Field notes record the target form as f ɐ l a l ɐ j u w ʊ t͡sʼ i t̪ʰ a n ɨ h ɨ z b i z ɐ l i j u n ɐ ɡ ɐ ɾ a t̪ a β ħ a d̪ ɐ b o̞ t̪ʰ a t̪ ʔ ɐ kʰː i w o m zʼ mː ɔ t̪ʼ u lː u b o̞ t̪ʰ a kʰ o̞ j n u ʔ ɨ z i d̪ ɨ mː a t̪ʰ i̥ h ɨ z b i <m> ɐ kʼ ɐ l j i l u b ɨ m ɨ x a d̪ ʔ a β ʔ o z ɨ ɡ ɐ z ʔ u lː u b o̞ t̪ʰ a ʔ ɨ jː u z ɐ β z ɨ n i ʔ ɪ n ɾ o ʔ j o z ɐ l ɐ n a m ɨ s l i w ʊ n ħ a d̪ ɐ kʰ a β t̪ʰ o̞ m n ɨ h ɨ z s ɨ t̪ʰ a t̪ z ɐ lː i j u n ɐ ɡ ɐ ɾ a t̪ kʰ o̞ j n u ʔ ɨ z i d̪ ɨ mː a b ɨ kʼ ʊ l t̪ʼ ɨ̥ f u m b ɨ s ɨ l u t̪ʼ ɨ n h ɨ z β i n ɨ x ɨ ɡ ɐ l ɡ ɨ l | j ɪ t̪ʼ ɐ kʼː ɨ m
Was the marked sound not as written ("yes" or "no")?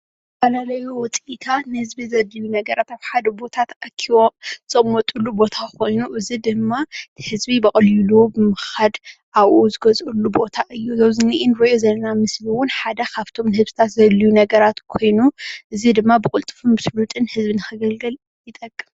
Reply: yes